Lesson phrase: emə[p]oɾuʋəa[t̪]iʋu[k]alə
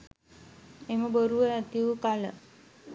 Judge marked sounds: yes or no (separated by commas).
no, yes, yes